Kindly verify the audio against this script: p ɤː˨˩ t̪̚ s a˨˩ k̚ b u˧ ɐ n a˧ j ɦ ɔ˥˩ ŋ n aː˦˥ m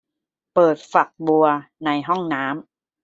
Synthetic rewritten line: p ɤː˨˩ t̪̚ f a˨˩ k̚ b u˧ ɐ n a˧ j ɦ ɔ˥˩ ŋ n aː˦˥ m